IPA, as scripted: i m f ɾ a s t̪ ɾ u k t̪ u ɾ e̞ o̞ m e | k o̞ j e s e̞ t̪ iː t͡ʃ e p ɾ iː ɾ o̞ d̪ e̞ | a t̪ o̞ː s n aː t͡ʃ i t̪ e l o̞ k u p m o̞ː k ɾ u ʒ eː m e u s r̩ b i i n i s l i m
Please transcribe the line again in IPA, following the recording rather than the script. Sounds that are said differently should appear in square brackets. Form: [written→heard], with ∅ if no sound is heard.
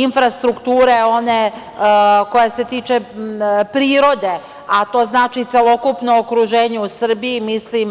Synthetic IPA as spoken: i [m→n] f ɾ a s t̪ ɾ u k t̪ [u→uː] ɾ e̞ o̞ [m→n] e | k o̞ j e s e̞ t̪ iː t͡ʃ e p ɾ iː ɾ o̞ d̪ e̞ | a t̪ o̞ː [s→z] n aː t͡ʃ i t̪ e l o̞ k u p [m→n] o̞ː k ɾ u ʒ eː [m→ɲ] e u s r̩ b i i [n→m] i s l i m